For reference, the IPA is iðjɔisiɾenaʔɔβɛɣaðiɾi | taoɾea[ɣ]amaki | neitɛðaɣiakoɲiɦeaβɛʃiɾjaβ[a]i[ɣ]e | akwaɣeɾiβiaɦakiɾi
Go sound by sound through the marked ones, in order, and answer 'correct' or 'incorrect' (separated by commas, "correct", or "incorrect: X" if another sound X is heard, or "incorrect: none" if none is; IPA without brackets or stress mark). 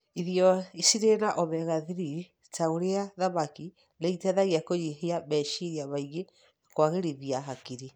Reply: incorrect: ð, correct, correct